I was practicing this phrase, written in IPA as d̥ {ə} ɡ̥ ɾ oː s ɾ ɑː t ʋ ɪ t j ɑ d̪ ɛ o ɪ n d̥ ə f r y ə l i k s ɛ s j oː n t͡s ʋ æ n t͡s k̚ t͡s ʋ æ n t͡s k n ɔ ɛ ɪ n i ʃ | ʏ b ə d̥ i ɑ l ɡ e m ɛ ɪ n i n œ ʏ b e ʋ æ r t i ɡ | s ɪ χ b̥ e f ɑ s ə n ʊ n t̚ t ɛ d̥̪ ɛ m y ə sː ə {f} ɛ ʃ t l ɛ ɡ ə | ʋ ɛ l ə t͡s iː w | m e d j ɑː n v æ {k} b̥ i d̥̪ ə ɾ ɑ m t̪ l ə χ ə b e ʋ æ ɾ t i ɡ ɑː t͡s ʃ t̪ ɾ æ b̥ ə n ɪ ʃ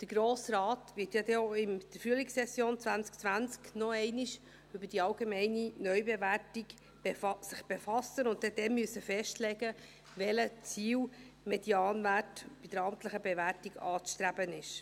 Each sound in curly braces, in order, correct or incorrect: correct, correct, incorrect: t

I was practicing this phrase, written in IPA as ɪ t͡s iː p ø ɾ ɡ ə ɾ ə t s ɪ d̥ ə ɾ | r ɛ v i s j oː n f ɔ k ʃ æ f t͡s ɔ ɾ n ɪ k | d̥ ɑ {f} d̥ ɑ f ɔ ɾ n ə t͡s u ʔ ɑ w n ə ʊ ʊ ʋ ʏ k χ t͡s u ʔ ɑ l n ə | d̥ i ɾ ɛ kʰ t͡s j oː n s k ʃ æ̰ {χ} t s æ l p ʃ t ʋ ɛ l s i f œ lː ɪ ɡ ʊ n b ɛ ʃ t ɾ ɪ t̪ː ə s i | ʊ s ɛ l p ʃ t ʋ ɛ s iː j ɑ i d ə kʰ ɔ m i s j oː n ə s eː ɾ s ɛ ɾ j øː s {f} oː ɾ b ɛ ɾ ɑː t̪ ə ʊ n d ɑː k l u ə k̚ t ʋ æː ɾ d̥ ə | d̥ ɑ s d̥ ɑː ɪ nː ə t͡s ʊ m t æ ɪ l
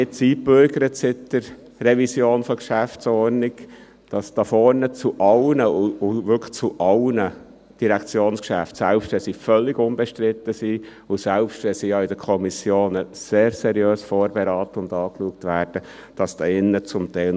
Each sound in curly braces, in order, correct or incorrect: incorrect: s, incorrect: f, correct

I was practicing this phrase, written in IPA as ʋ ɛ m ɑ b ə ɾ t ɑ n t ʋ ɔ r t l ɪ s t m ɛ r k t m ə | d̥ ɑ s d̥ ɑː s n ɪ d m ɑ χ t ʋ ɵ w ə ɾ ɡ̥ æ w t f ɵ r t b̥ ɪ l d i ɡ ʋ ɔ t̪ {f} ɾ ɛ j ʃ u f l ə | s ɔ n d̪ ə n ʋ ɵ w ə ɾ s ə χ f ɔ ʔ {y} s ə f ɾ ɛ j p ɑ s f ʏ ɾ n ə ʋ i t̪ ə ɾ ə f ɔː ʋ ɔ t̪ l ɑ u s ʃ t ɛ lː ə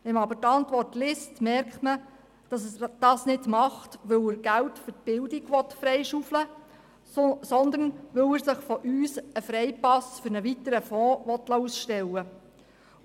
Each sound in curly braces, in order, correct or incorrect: correct, incorrect: yː

